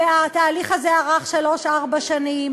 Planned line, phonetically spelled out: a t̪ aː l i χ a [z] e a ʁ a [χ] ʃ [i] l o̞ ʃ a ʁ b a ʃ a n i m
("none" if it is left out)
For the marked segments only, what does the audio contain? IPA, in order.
z, χ, a

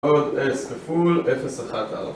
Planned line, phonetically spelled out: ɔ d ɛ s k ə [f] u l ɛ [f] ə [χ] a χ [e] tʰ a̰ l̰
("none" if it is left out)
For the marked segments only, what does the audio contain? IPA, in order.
f, f, s, a

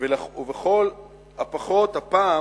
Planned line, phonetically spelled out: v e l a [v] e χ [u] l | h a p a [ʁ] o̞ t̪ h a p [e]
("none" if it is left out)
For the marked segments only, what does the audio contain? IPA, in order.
v, o, χ, a

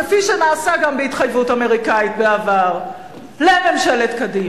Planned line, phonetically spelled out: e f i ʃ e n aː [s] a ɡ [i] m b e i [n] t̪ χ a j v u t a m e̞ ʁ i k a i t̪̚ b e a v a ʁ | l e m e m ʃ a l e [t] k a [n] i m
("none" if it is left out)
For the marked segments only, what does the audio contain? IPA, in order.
s, a, none, t, d

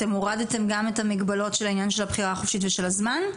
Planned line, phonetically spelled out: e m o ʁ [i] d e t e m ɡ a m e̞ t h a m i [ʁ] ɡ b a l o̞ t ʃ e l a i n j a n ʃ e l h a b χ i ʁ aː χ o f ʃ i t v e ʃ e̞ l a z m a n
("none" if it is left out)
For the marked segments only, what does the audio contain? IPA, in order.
a, none

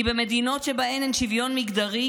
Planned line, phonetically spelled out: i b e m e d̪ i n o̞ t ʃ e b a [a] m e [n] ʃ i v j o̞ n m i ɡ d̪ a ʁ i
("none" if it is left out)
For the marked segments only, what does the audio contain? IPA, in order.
e, n

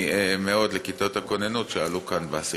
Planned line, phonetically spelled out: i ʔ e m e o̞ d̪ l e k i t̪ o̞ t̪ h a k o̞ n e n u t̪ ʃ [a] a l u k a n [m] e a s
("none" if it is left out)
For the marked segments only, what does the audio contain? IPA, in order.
e, b

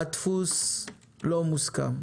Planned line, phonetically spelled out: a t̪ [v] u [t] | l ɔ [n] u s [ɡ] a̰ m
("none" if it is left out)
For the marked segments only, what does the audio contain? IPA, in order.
f, s, m, k

